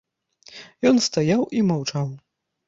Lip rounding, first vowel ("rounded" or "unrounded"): rounded